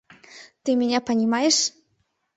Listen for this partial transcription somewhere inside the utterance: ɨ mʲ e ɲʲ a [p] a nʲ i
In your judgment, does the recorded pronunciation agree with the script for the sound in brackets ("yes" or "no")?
yes